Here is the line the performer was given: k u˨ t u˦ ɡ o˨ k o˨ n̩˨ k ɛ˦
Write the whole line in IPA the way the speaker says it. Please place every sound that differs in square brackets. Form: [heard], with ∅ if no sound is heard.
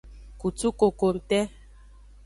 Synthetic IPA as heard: k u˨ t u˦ [k] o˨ k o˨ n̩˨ [t] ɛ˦